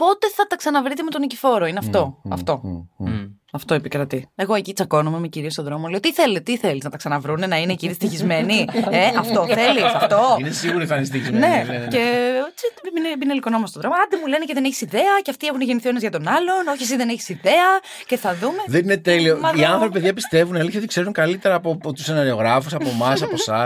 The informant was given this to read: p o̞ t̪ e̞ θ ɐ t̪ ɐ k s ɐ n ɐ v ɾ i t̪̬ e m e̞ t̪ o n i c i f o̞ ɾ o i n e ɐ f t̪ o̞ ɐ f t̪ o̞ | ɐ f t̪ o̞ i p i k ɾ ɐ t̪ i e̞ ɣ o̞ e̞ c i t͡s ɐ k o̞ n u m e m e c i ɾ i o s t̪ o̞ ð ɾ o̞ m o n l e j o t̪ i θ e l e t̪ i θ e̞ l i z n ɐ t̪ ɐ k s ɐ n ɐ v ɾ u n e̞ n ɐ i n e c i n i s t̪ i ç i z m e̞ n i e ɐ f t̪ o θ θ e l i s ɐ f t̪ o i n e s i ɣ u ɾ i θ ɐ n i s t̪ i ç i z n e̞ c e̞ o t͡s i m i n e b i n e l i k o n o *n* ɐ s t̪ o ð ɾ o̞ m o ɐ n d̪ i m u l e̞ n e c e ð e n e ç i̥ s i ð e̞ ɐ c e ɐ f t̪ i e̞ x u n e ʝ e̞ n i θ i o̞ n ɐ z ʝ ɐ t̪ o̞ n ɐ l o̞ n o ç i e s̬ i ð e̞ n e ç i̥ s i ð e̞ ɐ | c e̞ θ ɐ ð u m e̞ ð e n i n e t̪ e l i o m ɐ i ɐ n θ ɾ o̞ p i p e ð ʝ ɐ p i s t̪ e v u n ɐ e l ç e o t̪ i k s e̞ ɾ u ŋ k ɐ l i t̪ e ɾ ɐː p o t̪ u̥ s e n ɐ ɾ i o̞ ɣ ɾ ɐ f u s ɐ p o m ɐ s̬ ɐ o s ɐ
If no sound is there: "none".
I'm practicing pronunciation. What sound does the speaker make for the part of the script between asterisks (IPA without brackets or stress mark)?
m